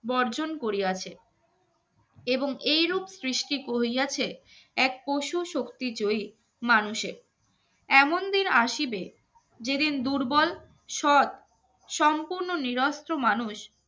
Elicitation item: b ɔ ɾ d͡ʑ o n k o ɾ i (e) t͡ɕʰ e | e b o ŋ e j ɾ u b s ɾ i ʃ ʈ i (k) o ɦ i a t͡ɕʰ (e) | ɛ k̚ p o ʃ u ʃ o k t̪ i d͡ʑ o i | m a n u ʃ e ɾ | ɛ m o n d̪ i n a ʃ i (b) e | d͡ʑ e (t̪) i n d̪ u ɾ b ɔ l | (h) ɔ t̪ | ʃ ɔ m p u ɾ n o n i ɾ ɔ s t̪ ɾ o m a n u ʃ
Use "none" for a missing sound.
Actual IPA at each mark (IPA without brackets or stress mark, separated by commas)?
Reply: a, k, e, b, d̪, ʃ